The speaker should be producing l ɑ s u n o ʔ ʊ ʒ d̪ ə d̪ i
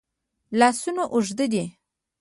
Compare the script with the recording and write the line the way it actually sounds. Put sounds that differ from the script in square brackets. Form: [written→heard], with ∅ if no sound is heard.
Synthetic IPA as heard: l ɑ s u n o ʔ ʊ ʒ d̪ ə d̪ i